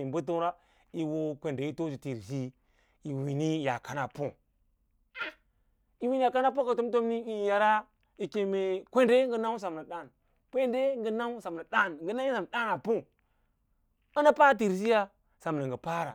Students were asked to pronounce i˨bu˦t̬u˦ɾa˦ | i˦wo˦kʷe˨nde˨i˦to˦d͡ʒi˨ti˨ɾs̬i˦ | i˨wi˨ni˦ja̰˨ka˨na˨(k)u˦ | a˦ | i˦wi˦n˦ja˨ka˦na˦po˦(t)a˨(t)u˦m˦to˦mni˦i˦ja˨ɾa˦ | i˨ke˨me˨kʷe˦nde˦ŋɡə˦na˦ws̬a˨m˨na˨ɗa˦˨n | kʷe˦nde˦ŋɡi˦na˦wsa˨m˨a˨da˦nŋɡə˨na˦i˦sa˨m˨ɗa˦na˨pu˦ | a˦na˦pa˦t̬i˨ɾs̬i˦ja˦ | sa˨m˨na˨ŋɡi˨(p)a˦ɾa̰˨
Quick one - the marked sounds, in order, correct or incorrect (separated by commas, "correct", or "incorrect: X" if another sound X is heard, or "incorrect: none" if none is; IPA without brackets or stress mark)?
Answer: incorrect: p, incorrect: k, correct, correct